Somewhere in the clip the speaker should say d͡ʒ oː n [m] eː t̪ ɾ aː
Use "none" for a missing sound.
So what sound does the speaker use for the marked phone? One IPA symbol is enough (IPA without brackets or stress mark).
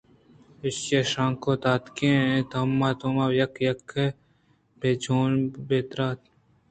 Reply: b